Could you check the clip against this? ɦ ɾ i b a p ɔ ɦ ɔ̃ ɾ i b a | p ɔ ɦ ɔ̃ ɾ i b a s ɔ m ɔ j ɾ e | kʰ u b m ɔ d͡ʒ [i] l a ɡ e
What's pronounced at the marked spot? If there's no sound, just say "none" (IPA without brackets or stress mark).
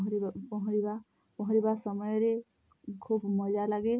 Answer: a